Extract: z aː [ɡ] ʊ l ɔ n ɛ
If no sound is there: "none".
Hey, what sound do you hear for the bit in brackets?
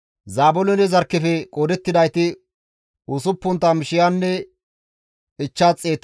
b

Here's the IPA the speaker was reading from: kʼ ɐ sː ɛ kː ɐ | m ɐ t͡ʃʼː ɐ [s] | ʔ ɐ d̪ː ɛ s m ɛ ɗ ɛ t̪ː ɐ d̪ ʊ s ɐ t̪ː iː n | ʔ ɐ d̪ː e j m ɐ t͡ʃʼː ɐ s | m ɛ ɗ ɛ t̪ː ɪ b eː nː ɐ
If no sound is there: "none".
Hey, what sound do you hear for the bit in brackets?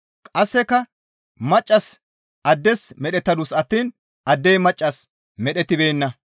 s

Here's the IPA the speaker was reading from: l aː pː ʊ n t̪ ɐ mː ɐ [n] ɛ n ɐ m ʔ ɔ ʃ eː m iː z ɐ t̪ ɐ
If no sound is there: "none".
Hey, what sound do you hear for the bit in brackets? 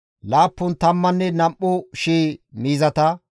nː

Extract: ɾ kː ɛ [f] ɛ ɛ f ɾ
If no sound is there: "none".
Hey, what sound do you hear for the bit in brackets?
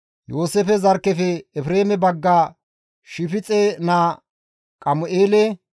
f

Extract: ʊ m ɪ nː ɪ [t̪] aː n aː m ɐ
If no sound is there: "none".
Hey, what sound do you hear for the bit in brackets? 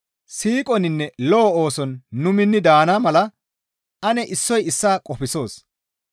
d̪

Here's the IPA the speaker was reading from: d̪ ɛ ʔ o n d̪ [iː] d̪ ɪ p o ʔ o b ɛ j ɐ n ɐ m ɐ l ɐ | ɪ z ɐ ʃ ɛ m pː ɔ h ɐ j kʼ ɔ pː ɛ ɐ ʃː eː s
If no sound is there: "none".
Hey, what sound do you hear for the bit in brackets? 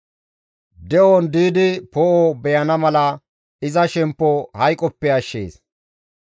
iː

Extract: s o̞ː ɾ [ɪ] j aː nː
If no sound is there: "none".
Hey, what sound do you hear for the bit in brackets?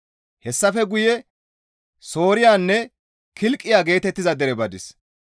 ɪ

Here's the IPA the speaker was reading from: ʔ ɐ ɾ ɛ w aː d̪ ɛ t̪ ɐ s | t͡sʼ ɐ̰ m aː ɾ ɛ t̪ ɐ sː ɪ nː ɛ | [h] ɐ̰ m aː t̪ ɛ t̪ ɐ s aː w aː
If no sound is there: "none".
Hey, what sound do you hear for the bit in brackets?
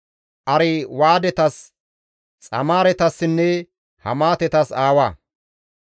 h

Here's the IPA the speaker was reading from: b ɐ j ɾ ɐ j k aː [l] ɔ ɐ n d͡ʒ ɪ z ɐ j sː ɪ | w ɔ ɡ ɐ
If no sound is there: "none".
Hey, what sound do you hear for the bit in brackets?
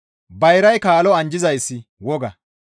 l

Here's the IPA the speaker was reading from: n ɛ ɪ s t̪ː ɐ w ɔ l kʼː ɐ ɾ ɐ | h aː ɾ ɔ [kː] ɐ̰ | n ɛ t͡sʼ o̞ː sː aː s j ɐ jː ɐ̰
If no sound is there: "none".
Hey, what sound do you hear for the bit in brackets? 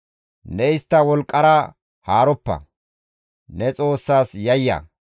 pː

